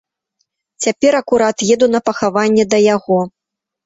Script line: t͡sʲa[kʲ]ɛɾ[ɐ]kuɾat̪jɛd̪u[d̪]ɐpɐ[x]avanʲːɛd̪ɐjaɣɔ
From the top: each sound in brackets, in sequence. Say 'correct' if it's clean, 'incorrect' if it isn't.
incorrect: pʲ, correct, incorrect: n̪, correct

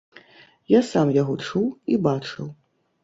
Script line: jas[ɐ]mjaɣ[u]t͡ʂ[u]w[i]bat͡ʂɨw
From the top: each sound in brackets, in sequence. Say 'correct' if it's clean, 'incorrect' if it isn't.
incorrect: a, incorrect: ɔ, correct, correct

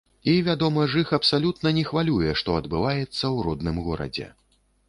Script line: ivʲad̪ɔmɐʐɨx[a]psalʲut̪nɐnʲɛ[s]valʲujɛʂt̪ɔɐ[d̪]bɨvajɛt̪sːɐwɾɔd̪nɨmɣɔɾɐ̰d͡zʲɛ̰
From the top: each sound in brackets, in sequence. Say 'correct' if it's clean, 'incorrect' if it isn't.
incorrect: ɐ, incorrect: x, correct

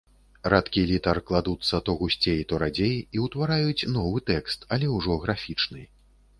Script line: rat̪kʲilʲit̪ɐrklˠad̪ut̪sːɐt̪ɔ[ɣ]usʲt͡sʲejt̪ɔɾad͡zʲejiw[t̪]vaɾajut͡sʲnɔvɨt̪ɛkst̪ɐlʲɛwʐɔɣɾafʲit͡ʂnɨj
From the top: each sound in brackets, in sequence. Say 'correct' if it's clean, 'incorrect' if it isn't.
correct, correct

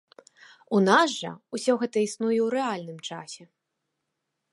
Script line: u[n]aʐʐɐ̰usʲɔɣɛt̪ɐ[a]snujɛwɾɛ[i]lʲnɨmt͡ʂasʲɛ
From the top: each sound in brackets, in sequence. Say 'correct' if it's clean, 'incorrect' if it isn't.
correct, incorrect: i, incorrect: a

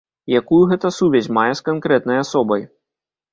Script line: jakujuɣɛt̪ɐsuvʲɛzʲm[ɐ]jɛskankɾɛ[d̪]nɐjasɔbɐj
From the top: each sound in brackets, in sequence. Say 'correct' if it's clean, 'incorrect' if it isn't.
incorrect: a, incorrect: t̪

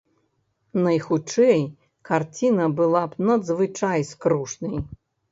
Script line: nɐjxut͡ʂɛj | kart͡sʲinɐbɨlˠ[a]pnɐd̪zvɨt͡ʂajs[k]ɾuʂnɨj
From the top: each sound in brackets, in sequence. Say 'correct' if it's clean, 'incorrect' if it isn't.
correct, correct

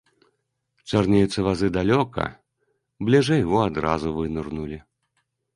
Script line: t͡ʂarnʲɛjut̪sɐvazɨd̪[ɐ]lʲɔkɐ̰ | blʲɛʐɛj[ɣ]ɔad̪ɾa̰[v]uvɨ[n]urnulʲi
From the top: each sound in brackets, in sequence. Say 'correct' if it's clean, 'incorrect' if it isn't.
incorrect: a, correct, incorrect: z, correct

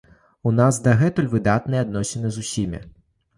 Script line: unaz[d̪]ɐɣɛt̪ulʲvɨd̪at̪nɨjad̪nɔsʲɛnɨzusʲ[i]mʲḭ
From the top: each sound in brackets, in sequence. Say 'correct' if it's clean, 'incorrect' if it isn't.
correct, correct

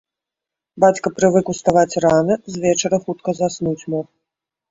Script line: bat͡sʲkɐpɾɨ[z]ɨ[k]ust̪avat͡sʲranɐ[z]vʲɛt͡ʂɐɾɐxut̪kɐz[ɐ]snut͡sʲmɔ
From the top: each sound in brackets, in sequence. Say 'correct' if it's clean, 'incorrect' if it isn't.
incorrect: v, correct, correct, incorrect: a

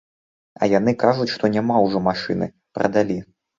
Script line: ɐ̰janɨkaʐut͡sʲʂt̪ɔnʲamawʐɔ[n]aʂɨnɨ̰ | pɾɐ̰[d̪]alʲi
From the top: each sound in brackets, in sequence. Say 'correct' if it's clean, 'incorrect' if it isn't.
incorrect: m, correct

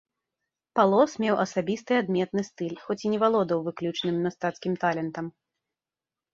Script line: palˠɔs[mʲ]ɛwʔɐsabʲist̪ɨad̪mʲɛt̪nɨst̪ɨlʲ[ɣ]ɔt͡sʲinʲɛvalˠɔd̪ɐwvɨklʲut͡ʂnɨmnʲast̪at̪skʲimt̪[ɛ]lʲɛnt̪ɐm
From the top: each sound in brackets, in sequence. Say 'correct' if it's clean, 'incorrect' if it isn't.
correct, incorrect: x, incorrect: a

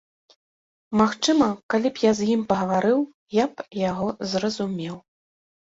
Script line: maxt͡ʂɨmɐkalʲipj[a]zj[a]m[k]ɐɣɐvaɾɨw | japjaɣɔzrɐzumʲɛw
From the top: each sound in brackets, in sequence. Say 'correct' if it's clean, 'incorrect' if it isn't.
correct, incorrect: i, incorrect: p

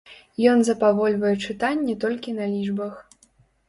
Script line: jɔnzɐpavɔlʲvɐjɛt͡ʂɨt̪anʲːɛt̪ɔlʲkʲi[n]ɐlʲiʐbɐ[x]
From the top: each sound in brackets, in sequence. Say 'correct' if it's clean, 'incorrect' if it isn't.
correct, correct

